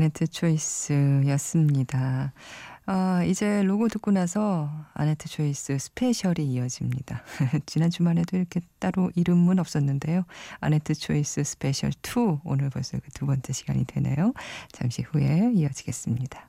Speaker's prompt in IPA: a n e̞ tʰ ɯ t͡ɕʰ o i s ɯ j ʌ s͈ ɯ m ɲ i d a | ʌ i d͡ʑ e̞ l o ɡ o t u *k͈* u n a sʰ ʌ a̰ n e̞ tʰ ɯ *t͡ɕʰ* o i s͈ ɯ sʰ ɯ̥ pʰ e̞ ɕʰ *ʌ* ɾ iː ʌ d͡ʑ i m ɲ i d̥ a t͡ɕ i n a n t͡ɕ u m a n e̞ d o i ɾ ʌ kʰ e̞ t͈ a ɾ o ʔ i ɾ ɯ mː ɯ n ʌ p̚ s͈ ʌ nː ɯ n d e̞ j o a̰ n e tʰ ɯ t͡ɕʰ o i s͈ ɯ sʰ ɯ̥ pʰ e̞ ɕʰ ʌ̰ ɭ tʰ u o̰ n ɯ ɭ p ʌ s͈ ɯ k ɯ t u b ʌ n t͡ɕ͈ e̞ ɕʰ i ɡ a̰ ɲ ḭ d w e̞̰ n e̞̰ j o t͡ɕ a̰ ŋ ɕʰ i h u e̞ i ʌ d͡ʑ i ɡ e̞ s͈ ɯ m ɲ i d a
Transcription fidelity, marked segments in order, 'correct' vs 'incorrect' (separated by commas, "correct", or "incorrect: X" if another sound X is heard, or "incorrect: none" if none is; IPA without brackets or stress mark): correct, correct, correct